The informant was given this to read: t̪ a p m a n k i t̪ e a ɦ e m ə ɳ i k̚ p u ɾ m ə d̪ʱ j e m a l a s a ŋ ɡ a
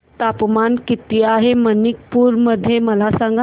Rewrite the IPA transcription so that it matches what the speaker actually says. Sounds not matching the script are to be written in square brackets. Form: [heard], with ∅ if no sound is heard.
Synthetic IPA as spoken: t̪ a p m a n k i t̪ [i] a ɦ e m ə [n] i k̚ p u ɾ m ə d̪ʱ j e m [ə] l a s a ŋ ɡ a